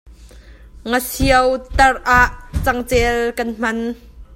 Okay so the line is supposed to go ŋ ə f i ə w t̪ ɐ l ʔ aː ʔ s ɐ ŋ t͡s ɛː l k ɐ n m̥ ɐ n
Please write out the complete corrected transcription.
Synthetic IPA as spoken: ŋ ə s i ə w t̪ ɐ r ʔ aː ʔ t͡s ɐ ŋ t͡s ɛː l k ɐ n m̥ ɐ n